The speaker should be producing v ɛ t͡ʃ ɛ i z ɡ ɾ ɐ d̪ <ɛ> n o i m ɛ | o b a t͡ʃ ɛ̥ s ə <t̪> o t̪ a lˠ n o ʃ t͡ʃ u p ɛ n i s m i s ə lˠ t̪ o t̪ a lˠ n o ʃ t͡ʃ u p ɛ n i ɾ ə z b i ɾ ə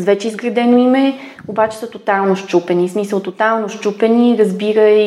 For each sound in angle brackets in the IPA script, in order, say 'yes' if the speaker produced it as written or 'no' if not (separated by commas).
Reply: yes, yes